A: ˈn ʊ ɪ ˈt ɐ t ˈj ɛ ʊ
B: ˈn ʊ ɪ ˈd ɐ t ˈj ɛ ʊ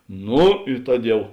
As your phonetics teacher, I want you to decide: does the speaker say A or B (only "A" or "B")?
A